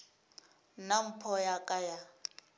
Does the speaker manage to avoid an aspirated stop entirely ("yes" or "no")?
no